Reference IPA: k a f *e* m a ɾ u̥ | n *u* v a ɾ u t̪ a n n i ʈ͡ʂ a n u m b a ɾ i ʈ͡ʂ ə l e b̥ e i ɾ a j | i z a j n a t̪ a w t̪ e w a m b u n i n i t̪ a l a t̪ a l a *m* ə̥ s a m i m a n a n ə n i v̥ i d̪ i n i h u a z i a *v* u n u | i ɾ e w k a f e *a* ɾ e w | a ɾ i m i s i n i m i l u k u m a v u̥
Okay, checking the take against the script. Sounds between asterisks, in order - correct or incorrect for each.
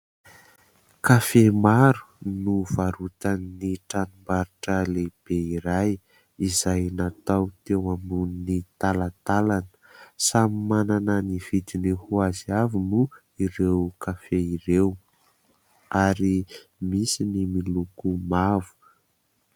correct, correct, incorrect: n, correct, incorrect: i

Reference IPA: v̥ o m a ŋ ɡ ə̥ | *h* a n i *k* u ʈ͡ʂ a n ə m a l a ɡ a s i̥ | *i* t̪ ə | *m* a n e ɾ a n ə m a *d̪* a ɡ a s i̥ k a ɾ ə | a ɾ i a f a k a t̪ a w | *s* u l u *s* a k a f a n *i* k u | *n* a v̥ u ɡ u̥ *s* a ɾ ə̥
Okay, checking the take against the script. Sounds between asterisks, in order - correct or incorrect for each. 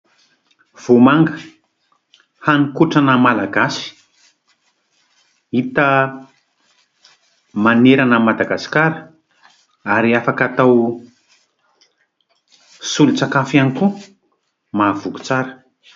correct, correct, correct, correct, correct, correct, incorrect: t͡s, correct, incorrect: m, incorrect: t͡s

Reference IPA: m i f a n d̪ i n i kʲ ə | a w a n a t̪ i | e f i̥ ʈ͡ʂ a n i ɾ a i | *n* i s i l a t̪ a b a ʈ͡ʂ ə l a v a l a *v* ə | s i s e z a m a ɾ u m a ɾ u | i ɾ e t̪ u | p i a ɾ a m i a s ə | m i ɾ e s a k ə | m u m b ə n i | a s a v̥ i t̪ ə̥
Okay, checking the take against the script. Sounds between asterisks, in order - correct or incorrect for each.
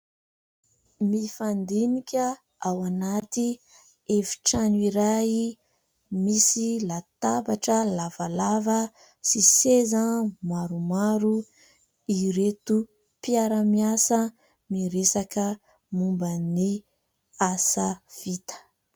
incorrect: m, correct

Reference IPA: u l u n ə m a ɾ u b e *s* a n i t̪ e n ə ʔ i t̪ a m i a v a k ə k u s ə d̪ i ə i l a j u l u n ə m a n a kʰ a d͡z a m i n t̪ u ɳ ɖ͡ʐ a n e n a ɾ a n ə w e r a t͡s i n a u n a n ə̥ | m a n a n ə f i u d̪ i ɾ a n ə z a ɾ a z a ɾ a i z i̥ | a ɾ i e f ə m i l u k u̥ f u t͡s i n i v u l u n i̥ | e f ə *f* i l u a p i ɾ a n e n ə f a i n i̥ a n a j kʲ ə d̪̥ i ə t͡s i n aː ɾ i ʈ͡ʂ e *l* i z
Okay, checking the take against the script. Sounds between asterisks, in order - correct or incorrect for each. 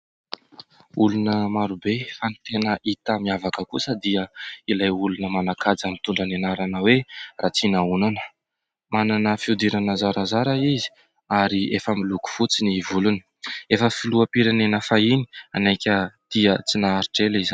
incorrect: f, correct, correct

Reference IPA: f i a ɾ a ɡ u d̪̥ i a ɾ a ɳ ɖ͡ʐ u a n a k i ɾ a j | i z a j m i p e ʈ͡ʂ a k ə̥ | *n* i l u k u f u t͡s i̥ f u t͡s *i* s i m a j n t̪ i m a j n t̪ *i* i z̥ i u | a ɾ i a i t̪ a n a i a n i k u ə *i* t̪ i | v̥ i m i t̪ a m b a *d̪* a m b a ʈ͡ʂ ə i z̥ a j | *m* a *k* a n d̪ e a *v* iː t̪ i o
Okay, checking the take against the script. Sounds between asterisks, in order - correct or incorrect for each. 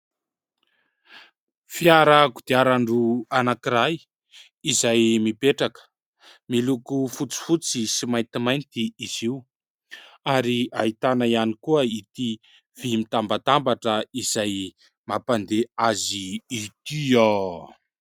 incorrect: m, correct, correct, correct, incorrect: t̪, correct, incorrect: p, incorrect: z

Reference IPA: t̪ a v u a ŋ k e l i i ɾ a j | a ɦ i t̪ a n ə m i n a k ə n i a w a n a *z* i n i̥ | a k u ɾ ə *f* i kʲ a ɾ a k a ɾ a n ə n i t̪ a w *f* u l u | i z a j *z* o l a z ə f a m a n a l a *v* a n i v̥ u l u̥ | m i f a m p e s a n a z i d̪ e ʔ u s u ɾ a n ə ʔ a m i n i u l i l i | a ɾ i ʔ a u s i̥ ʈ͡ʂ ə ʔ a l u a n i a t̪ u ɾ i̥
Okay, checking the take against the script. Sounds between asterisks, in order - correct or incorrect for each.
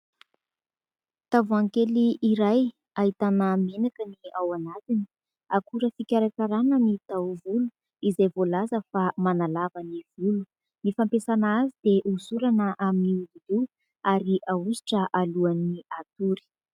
correct, correct, incorrect: v, incorrect: v, correct

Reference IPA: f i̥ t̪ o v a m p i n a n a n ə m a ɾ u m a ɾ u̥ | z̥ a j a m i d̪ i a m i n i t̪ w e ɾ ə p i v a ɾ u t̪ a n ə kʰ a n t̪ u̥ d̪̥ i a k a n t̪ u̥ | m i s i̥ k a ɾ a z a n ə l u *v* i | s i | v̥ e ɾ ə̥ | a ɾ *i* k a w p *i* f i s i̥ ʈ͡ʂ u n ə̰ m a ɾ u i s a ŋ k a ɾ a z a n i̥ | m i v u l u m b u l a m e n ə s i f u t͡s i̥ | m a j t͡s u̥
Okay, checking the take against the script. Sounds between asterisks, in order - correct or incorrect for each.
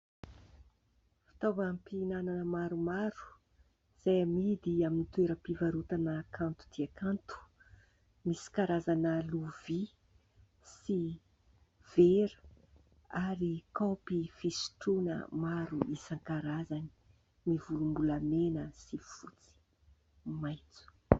correct, correct, correct

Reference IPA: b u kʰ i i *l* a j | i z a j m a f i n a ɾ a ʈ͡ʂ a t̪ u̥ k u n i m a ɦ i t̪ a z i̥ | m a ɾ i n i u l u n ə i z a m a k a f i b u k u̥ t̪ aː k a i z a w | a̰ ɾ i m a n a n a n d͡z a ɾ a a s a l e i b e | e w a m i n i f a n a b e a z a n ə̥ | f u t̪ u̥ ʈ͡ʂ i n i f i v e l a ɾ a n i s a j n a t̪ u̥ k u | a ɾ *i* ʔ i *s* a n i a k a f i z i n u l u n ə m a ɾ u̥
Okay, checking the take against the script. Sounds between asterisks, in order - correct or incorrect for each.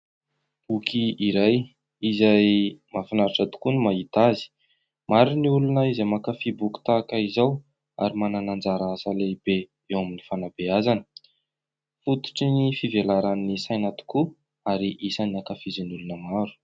incorrect: ɾ, correct, correct

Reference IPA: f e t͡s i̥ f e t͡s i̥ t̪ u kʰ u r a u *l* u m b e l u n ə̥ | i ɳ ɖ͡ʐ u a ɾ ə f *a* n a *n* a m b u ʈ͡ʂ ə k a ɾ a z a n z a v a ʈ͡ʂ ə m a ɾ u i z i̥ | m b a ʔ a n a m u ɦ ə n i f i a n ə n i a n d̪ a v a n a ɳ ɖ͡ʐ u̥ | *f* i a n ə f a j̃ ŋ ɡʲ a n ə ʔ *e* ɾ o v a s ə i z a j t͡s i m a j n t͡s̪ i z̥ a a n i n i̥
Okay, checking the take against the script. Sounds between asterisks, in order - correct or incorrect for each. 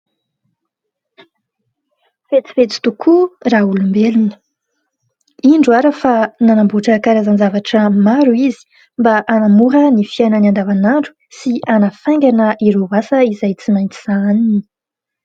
correct, correct, correct, incorrect: s, incorrect: i

